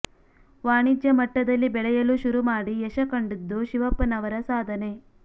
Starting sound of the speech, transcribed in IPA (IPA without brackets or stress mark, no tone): ʋ